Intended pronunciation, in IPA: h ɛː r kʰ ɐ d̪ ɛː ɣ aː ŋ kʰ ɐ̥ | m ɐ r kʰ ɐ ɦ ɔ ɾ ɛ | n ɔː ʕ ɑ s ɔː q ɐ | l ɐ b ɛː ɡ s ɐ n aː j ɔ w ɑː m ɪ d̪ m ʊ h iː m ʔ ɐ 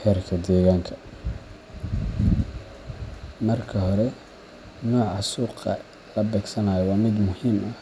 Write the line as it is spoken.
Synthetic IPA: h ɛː r kʰ ɐ d̪ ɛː ɣ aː ŋ kʰ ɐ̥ | m ɐ r kʰ ɐ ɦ ɔ ɾ ɛ | n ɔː ʕ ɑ s uː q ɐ | l ɐ b ɛː ɡ s ɐ n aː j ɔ w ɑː m ɪ d̪ m ʊ h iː m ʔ ɐ